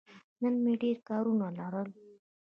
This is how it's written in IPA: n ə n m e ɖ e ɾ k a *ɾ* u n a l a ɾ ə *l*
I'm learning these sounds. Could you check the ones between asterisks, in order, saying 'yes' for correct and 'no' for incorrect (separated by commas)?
yes, yes